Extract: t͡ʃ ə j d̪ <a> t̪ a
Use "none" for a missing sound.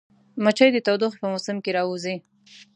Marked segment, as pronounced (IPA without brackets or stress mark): ə